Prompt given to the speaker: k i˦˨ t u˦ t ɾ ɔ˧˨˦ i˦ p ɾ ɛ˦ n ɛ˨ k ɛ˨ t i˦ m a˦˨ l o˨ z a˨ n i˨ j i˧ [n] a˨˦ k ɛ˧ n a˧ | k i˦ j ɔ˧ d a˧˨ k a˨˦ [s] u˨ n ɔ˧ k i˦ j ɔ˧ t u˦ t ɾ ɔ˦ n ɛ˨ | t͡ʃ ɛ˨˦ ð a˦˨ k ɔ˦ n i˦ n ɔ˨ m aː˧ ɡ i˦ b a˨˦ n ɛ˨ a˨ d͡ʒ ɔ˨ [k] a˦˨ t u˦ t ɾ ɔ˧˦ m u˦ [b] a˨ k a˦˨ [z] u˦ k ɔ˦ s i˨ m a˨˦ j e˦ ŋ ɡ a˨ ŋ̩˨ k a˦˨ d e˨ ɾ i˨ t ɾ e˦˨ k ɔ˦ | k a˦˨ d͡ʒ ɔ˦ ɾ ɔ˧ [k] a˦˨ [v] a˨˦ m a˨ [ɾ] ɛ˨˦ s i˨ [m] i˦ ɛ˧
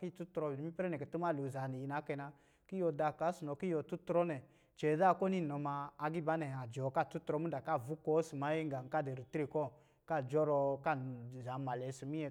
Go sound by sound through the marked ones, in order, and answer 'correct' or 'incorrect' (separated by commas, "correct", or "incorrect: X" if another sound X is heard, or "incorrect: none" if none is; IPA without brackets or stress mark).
correct, correct, correct, incorrect: d, incorrect: v, correct, incorrect: z, incorrect: l, correct